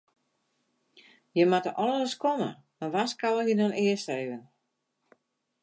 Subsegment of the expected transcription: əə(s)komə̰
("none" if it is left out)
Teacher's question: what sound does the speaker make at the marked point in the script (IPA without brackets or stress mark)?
s